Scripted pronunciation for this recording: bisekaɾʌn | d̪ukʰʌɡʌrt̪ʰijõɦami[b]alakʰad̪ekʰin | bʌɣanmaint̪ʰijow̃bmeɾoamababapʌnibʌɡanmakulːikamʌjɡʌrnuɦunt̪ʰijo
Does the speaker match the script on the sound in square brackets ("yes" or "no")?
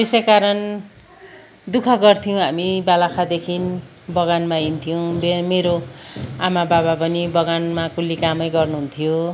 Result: yes